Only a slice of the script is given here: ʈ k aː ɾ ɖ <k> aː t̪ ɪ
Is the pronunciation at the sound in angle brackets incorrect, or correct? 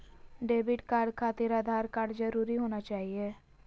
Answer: incorrect